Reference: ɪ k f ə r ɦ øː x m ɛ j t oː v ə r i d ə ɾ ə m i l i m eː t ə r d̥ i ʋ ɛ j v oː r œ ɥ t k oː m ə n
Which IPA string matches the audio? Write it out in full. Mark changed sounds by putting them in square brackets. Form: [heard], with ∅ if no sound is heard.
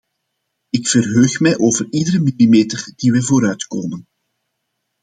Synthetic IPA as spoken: ɪ k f ə r ɦ øː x m ɛ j [ʔ] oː v ə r i d ə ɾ ə m i l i m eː t ə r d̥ i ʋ ɛ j v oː [ɾ] œ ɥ t k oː m ə n